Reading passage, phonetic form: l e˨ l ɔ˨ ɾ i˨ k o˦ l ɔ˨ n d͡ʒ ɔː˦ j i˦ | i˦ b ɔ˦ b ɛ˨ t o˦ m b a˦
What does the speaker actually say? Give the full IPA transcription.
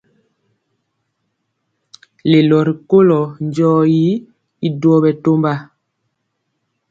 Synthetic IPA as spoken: l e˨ l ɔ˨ ɾ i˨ k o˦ l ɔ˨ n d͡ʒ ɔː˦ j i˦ | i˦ d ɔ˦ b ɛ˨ t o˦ m b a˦